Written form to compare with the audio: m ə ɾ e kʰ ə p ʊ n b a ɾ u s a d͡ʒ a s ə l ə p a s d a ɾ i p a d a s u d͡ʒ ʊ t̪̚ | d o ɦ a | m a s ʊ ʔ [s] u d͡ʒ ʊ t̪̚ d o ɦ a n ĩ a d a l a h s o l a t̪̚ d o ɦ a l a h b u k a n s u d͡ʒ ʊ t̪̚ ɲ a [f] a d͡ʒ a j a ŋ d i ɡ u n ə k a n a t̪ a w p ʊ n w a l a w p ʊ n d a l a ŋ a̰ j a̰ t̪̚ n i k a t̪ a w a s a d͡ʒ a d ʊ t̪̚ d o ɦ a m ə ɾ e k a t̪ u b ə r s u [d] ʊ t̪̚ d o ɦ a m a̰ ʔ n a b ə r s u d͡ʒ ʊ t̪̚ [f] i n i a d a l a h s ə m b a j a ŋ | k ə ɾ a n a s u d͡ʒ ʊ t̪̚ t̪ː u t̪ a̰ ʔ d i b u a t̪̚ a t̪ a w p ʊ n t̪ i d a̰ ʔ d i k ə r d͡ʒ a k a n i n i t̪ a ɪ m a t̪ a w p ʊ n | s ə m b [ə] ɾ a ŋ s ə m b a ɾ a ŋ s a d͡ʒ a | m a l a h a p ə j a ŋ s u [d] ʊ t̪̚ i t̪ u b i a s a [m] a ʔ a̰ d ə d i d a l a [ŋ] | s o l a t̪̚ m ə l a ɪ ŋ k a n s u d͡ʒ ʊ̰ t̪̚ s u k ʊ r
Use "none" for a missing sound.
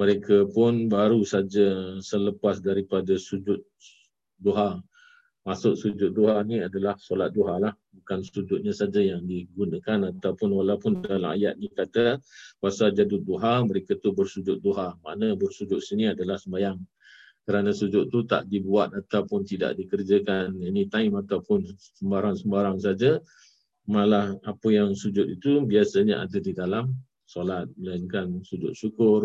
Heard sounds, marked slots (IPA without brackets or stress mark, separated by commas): s, s, d͡ʒ, s, a, d͡ʒ, ɲ, m